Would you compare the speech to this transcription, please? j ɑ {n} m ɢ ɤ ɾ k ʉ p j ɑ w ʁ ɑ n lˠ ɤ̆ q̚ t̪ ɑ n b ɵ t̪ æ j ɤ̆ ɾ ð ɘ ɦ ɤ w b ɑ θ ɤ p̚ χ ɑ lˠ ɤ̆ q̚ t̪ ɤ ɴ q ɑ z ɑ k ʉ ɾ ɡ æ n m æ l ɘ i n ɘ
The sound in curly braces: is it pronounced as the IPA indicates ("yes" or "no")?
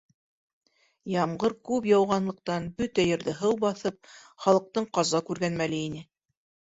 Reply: no